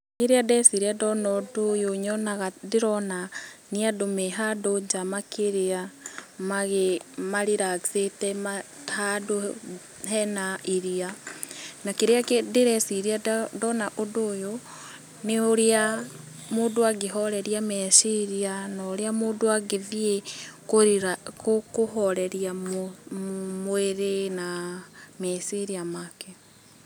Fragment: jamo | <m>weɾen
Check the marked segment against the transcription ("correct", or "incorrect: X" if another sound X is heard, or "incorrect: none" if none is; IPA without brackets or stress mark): correct